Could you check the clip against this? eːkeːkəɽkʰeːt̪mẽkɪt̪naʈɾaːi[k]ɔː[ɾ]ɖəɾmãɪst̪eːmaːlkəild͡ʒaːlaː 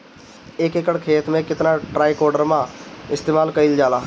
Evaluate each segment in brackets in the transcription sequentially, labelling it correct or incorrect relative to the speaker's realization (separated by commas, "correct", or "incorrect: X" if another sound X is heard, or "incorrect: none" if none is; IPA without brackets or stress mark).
correct, correct